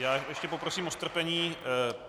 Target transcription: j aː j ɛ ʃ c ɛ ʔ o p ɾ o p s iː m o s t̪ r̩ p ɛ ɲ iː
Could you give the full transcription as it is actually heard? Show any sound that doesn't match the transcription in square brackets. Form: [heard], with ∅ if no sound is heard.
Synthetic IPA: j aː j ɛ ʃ c ɛ [p] o p ɾ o [∅] s iː m o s t̪ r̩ p ɛ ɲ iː